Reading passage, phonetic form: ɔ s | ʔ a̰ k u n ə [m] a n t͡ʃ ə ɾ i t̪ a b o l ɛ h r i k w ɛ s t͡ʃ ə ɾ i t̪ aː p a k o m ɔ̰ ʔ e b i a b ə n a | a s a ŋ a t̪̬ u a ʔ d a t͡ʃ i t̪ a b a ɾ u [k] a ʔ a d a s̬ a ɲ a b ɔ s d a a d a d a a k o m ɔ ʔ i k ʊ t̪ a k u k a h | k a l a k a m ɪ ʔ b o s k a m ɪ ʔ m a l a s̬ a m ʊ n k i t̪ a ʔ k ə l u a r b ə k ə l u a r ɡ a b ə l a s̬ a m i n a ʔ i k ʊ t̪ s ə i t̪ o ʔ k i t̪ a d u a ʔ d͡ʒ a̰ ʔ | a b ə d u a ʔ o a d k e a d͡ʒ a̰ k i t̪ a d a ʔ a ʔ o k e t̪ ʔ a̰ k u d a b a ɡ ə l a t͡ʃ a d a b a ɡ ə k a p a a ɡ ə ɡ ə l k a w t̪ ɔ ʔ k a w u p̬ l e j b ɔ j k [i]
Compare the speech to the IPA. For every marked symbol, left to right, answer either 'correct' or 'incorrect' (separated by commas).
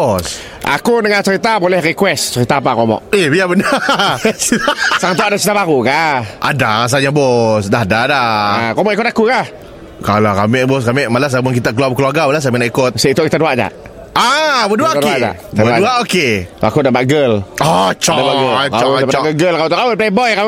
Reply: incorrect, correct, incorrect